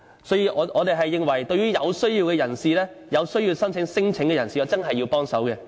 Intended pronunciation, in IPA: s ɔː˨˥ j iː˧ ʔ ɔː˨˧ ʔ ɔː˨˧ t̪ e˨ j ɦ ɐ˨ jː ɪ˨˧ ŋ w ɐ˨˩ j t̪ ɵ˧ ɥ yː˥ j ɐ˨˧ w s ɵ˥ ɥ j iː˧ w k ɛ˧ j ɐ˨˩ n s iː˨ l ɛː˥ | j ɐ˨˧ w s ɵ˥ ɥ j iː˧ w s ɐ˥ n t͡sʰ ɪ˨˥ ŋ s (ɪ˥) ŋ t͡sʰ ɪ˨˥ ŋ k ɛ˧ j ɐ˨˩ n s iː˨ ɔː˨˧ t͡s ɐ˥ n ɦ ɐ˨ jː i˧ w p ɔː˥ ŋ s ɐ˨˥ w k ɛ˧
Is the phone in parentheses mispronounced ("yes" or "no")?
no